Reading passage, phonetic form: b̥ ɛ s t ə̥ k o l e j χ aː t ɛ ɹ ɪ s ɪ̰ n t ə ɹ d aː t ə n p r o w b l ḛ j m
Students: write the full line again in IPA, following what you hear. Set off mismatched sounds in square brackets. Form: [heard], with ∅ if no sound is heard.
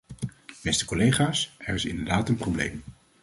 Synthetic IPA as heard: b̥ ɛ s t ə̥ k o l e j χ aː [s] ɛ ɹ ɪ s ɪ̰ n [d] ə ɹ d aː t ə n p r o w b l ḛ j m

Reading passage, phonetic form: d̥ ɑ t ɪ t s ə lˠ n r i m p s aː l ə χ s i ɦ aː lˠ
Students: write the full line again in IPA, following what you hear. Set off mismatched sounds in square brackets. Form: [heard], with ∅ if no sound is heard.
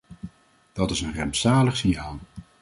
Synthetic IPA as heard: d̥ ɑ t ɪ [∅] s ə [∅] n r [ɛ] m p s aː l ə χ s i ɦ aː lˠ

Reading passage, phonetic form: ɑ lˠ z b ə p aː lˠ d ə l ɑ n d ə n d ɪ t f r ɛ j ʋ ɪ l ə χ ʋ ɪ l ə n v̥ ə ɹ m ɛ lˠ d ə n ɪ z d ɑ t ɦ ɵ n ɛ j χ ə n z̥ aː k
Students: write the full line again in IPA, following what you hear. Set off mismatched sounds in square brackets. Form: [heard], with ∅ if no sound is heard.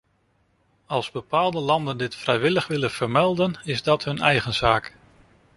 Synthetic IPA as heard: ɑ lˠ z b ə p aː lˠ d ə l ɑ n d ə n d ɪ t f r ɛ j ʋ ɪ l ə χ ʋ ɪ l ə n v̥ ə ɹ m ɛ lˠ d ə n ɪ z d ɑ t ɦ ɵ n ɛ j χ ə n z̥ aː k

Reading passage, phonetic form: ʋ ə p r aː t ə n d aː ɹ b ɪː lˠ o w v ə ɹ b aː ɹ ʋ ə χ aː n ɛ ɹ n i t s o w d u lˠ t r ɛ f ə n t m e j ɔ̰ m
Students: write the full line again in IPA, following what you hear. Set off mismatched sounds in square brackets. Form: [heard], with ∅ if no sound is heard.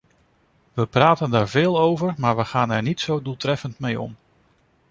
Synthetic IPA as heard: ʋ ə p r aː t ə n d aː ɹ [v] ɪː lˠ o w v ə ɹ [m] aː ɹ ʋ ə χ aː n ɛ ɹ n i t s o w d u lˠ t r ɛ f ə n t m e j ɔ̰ m

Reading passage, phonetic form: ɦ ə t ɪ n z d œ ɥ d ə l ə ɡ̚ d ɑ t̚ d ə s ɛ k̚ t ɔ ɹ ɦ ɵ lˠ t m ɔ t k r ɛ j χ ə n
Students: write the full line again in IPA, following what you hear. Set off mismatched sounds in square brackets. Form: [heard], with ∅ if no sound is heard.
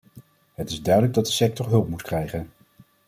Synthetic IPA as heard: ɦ ə t ɪ [∅] z d œ ɥ d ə l ə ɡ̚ d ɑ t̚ d ə s ɛ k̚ t ɔ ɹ ɦ ɵ lˠ [p] m [u] t k r ɛ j χ ə n

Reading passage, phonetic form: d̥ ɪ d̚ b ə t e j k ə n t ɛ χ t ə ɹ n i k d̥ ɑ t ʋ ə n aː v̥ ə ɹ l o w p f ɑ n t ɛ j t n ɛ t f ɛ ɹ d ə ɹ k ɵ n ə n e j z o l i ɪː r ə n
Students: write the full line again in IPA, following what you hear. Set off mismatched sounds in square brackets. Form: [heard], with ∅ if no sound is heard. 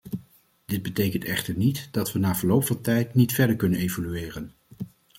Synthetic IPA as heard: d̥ ɪ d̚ b ə t e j k ə n t ɛ χ t ə ɹ n i [t] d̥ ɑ t ʋ ə n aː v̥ ə ɹ l o w p f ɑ n t ɛ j t n [i] t f ɛ ɹ d ə ɹ k ɵ n ə n e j [v] o l [y] ɪː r ə n

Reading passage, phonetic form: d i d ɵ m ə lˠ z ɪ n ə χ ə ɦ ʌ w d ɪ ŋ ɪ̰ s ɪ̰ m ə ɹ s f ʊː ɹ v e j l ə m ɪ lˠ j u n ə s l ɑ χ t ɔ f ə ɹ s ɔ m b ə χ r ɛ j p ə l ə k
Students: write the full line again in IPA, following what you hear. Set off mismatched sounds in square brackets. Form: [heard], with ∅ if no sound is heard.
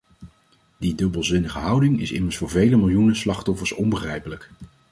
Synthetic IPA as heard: d i d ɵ [b] ə lˠ z ɪ n ə χ ə ɦ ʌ w d ɪ ŋ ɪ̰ s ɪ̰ m ə ɹ s f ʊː ɹ v e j l ə m ɪ lˠ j u n ə s l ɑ χ t ɔ f ə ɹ s ɔ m b ə χ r ɛ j p ə l ə k

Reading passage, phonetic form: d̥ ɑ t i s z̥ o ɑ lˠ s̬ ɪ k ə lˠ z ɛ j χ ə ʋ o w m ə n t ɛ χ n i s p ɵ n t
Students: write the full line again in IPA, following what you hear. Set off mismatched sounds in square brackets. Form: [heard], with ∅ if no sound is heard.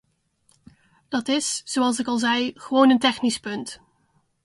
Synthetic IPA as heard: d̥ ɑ t [ɪ] s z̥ o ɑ lˠ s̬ ɪ k [ɑ] lˠ z ɛ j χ ə ʋ o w [n] ə n t ɛ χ n i s p ɵ n t

